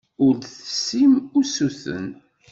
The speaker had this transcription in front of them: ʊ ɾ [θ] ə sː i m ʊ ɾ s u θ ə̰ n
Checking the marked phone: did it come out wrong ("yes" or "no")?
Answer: no